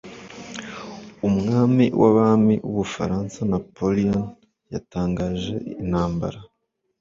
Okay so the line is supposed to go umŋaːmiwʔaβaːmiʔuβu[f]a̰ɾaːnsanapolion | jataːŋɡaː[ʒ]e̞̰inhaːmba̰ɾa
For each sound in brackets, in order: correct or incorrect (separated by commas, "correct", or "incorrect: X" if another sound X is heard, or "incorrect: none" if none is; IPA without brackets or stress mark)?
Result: correct, correct